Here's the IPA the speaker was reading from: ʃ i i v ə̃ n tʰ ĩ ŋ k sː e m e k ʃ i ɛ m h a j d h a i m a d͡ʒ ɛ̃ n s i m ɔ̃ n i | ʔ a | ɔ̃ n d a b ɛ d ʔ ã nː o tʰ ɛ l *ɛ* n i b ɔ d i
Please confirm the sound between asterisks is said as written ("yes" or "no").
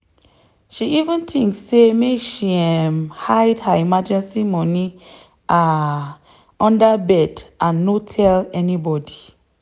yes